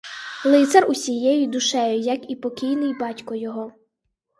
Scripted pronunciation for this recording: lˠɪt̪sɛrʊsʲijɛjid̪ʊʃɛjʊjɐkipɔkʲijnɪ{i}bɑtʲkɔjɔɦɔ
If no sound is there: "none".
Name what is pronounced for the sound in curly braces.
j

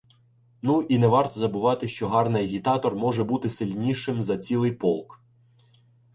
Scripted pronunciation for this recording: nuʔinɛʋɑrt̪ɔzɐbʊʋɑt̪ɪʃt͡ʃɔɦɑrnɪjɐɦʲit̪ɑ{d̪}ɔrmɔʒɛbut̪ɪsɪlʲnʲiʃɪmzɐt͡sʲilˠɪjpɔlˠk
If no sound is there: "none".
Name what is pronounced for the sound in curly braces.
t̪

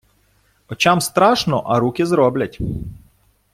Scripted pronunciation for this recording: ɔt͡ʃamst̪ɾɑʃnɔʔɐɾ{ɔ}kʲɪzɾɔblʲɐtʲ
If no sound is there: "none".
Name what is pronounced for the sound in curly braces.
u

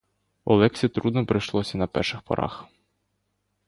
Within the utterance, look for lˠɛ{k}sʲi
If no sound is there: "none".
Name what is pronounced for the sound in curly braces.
k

